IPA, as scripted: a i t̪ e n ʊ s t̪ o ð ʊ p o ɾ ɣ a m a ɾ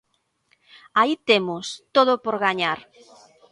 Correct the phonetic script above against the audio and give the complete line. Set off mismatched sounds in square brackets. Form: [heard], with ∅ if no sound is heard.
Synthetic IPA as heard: a i t̪ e [m] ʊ s t̪ o ð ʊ p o ɾ ɣ a [ɲ] a ɾ